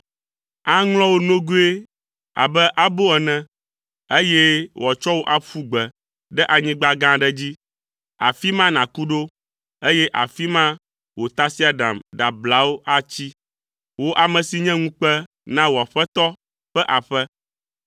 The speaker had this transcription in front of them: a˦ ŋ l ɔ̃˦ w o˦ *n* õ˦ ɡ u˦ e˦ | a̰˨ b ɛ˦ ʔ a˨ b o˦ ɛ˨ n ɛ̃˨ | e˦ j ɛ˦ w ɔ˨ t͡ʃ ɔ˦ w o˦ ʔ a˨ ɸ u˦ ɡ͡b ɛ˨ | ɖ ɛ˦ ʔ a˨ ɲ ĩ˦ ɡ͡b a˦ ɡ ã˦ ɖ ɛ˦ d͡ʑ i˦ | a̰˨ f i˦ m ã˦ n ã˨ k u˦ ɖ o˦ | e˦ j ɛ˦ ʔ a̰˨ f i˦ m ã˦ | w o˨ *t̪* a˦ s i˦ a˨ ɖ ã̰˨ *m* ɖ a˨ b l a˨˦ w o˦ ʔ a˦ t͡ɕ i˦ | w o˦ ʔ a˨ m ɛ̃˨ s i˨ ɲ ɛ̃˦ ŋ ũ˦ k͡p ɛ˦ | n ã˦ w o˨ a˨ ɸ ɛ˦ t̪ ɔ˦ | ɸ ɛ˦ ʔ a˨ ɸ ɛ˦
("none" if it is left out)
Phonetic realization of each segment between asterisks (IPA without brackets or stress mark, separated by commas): n, t̪, m